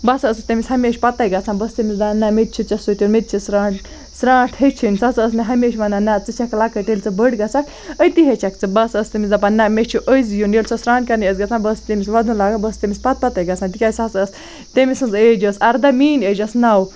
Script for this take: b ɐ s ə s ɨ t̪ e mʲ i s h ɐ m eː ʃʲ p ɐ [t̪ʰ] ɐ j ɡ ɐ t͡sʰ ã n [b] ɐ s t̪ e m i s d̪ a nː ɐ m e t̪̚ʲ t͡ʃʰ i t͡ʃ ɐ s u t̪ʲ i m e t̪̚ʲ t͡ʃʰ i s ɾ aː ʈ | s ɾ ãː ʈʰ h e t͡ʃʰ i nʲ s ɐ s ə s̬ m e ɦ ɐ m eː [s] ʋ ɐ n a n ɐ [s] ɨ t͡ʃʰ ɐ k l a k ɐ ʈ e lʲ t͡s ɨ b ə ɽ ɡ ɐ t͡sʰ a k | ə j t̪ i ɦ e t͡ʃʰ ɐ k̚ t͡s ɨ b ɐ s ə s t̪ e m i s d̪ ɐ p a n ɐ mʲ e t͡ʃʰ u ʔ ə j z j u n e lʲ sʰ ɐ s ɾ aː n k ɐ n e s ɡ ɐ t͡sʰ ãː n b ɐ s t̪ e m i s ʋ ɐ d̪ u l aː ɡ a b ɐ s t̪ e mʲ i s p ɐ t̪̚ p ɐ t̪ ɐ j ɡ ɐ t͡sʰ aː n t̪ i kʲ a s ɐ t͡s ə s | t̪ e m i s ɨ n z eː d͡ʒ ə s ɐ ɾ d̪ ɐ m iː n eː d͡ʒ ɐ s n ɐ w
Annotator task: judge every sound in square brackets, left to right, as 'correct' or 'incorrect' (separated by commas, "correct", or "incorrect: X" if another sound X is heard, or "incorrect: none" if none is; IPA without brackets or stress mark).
incorrect: t̪, correct, incorrect: ʃ, incorrect: t͡s